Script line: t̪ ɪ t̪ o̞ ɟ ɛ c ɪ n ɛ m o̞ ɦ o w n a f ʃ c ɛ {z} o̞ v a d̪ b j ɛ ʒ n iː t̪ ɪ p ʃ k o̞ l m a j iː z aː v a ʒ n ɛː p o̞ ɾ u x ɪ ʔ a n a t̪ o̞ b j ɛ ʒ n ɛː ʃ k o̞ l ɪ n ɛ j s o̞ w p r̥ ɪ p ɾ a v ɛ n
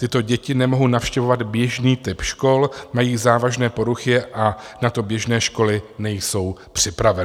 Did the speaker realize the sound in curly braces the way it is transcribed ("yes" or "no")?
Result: no